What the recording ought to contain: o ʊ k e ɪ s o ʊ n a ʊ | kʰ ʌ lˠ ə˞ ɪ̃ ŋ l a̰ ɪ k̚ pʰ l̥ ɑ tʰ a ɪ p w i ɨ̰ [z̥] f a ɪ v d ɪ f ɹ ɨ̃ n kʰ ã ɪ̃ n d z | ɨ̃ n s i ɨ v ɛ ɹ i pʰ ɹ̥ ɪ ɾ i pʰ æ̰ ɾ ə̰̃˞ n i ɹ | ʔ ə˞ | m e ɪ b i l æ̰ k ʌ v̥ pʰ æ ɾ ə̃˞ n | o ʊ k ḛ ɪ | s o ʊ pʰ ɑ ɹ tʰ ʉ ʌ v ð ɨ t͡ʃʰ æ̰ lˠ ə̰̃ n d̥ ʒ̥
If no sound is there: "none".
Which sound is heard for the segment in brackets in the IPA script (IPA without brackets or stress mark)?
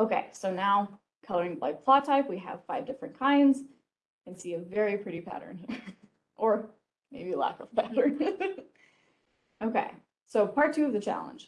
v̥